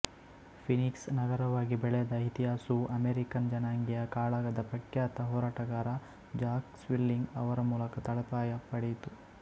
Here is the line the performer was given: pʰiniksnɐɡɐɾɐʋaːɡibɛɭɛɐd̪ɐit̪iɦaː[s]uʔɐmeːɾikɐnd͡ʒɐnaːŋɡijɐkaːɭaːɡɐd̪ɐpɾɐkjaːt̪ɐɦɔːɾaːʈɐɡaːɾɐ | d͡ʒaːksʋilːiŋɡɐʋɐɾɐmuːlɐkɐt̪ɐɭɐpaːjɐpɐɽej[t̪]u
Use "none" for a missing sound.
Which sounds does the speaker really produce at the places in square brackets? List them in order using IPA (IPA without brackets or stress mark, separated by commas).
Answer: s, t̪